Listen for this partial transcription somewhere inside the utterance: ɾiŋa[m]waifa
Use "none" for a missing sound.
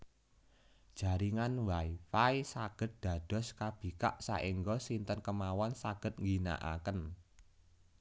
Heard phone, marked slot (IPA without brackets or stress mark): n